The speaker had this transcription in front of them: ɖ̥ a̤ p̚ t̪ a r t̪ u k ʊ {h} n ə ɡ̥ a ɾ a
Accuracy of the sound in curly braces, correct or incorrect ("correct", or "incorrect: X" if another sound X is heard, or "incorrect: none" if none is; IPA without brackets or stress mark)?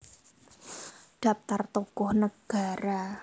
correct